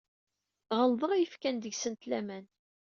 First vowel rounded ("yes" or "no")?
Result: no